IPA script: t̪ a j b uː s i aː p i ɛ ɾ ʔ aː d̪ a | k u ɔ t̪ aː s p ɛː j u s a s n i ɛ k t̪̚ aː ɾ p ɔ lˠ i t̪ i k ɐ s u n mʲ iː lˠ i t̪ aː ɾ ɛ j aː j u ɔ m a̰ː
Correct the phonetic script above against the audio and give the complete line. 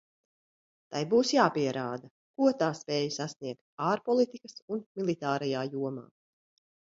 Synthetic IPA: t̪ a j b uː s j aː p i ɛ ɾ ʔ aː d̪ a | k u ɔ t̪ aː s p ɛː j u s a s n i ɛ k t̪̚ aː ɾ p ɔ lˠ i t̪ i k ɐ s u n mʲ i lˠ i t̪ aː ɾ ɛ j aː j u ɔ m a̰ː